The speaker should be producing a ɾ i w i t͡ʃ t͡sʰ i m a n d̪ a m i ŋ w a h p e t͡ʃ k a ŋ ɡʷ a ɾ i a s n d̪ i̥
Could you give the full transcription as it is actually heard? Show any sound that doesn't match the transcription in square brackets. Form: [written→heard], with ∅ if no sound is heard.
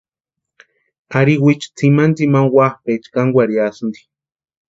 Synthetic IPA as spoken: a ɾ i w i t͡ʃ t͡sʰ i m a n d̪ [a→i] m [i→a] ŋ w a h p e t͡ʃ k a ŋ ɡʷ a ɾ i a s n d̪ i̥